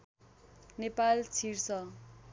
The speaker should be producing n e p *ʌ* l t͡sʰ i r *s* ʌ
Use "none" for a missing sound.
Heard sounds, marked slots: a, s

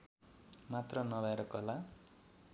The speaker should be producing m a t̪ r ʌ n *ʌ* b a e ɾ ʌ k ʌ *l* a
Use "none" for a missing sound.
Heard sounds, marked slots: ʌ, l

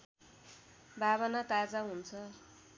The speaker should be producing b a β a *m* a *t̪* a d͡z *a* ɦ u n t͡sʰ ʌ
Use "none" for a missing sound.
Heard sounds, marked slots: n, t̪, a

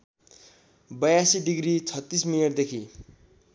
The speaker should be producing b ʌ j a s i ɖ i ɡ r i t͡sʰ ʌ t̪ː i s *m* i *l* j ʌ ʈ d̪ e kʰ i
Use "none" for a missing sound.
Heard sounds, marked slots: m, l

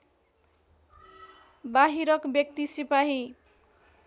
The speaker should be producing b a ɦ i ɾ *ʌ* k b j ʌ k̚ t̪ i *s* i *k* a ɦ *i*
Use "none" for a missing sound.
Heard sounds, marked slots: ʌ, s, p, i

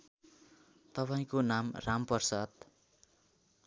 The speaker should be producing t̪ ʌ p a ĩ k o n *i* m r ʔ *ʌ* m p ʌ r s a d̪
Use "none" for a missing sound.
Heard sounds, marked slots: a, a

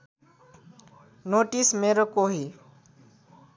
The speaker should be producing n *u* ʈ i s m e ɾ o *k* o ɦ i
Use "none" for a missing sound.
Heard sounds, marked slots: o, k

